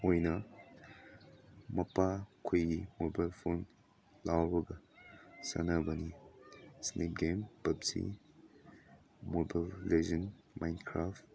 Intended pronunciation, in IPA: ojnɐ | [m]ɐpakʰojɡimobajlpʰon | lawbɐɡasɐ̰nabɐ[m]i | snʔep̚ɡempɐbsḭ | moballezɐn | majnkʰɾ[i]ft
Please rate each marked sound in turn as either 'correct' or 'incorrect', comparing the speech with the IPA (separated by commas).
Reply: correct, incorrect, incorrect